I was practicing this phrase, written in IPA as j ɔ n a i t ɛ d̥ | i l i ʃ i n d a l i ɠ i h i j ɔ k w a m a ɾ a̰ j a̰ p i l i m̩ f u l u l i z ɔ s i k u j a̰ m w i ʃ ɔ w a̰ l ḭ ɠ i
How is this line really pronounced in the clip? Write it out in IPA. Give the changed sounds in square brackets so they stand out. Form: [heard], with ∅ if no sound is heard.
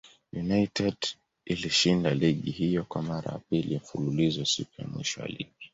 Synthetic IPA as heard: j [u] n a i t ɛ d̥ | i l i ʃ i n d a l i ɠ i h i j ɔ k w a m a ɾ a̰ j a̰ p i l i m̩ f u l u l i z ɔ s i k u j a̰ m w i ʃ ɔ w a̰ l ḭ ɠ i